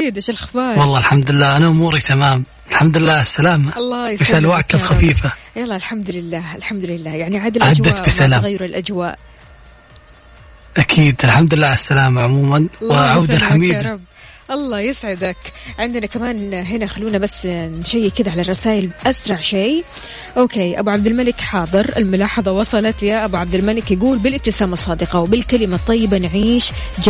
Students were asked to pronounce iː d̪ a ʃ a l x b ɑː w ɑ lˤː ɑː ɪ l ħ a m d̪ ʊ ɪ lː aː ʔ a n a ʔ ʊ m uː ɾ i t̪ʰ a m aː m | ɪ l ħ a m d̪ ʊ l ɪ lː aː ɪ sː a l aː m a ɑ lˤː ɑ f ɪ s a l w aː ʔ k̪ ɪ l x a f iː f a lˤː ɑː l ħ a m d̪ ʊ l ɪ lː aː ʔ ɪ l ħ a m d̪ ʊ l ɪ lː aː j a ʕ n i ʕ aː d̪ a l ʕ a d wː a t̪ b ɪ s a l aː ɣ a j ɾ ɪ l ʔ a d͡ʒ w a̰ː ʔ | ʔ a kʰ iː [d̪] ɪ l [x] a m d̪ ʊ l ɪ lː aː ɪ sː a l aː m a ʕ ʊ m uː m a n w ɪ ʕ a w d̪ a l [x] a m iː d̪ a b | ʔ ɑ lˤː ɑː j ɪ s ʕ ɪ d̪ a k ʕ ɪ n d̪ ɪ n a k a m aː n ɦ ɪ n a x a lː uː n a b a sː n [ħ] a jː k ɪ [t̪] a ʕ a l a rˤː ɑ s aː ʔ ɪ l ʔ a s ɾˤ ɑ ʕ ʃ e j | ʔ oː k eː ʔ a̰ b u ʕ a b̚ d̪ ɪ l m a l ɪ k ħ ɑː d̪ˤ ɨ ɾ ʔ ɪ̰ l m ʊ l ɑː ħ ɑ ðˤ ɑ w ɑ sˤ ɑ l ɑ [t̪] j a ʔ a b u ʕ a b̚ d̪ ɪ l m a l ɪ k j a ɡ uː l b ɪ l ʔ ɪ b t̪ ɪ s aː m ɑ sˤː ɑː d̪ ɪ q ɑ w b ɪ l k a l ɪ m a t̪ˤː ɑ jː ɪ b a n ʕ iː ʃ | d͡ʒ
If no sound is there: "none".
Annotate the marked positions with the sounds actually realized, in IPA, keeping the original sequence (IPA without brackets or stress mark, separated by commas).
d̪, ħ, ħ, ʃ, d̪, t̪